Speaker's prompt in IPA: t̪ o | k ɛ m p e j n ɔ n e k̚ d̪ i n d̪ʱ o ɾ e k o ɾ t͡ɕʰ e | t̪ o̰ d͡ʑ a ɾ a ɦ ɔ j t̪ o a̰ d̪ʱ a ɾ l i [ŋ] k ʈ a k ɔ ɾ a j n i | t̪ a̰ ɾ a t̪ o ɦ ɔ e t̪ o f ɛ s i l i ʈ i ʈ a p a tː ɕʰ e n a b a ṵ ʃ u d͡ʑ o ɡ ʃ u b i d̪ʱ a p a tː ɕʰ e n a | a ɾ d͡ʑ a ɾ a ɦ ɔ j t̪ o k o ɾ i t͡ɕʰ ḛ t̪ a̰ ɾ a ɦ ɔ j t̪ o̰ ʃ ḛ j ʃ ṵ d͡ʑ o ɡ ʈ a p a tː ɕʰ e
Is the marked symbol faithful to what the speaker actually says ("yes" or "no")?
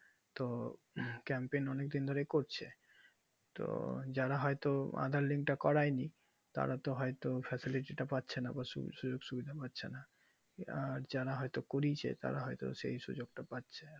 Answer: yes